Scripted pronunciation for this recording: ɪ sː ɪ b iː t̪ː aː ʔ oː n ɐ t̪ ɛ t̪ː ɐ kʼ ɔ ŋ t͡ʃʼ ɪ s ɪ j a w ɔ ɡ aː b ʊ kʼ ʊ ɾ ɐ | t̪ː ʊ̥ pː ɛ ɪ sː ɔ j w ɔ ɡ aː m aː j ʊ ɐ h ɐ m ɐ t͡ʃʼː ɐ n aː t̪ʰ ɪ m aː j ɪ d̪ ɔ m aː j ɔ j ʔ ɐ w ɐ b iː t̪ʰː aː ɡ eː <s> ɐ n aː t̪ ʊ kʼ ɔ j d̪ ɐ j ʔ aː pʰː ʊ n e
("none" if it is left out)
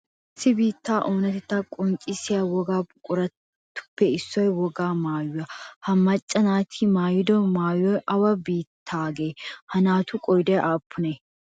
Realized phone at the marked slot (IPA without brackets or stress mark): h